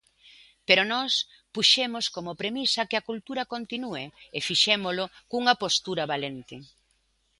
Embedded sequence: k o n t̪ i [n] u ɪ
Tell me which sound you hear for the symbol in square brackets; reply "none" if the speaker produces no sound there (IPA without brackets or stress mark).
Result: n